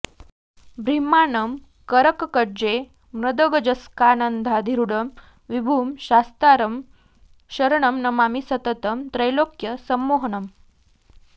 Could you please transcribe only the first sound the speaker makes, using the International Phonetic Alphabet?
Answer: b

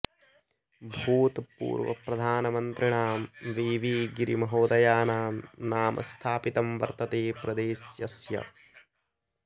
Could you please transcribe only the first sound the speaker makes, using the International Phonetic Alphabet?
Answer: bʱ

